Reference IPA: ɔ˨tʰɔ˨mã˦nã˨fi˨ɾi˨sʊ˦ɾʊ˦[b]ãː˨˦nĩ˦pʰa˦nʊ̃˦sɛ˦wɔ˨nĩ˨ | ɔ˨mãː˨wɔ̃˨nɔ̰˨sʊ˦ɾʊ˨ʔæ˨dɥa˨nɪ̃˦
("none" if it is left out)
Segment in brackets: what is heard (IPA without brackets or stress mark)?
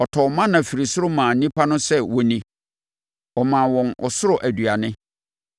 m